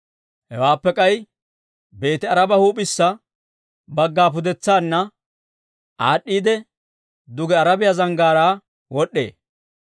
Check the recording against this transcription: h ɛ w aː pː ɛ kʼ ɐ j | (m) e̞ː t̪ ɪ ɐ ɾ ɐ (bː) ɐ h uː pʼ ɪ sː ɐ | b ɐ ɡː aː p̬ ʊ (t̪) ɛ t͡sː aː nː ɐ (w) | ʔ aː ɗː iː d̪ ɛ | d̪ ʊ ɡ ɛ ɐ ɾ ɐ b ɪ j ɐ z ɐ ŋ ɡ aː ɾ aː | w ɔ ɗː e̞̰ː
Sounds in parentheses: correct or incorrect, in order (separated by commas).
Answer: incorrect, incorrect, incorrect, incorrect